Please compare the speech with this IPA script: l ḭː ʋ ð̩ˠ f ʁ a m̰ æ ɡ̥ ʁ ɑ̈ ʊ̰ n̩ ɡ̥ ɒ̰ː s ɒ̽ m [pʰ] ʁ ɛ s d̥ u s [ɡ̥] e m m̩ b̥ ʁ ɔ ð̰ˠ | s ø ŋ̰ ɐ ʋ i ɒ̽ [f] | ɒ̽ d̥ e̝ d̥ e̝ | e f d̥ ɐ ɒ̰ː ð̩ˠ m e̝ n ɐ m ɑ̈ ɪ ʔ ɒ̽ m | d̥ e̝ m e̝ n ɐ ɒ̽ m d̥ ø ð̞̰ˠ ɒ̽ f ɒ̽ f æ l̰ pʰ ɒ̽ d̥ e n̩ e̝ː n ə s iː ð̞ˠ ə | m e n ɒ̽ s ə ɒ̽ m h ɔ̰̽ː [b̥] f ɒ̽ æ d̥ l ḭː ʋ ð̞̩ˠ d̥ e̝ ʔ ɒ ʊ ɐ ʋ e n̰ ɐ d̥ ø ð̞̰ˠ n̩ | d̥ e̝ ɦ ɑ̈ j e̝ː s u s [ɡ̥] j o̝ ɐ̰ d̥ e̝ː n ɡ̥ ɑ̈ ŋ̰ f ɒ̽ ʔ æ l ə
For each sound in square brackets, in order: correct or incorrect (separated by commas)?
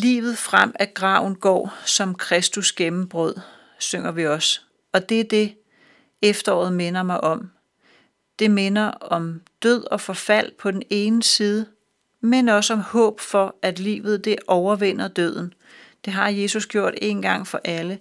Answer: incorrect, correct, incorrect, correct, correct